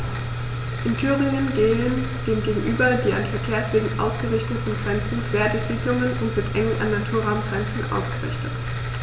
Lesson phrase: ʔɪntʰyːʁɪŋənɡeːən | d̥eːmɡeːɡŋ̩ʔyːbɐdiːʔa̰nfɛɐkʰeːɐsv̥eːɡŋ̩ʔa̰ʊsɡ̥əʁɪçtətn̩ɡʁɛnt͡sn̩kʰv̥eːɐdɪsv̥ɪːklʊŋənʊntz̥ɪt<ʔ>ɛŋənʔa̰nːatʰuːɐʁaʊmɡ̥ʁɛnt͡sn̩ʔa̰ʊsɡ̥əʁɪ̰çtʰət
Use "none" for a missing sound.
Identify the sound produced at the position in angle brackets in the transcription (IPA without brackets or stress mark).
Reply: ʔ